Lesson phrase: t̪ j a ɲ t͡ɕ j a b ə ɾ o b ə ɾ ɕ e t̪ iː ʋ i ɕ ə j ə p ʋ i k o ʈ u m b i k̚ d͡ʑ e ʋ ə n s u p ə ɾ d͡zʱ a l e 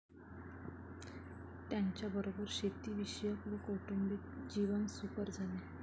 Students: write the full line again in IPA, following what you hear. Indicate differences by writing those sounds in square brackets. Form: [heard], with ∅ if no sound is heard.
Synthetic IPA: t̪ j a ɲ t͡ɕ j a b ə ɾ o b ə ɾ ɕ e t̪ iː ʋ i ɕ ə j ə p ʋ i k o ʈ u m b i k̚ d͡ʑ [i] ʋ ə n s u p ə ɾ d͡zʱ a l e